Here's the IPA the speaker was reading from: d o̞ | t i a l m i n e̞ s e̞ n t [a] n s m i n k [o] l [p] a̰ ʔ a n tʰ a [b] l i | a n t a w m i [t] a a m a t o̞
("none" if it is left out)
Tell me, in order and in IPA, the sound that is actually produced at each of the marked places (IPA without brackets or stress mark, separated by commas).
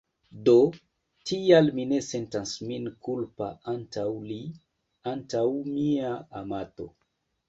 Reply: a, u, p, w, none